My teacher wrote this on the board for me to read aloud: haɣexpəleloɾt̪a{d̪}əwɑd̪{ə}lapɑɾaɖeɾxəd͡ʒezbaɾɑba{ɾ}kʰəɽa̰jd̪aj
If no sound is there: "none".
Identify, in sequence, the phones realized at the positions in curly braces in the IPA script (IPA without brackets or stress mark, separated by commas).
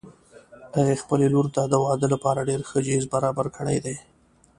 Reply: d̪, ə, ɾ